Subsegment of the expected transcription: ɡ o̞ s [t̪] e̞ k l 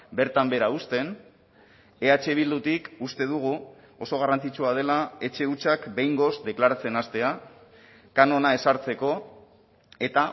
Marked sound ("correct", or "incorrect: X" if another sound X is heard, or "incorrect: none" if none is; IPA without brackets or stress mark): incorrect: d̪